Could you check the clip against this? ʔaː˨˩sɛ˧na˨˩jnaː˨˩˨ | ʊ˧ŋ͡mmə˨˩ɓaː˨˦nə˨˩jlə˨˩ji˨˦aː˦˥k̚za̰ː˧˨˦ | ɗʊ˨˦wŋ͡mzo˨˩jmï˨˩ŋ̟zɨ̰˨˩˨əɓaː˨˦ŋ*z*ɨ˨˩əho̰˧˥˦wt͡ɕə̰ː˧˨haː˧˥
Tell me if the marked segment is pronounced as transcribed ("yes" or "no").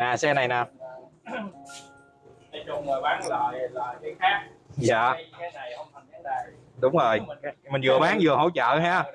yes